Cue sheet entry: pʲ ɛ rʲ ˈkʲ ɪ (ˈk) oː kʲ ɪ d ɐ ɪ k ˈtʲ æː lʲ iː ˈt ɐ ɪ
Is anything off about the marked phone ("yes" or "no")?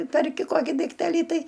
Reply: no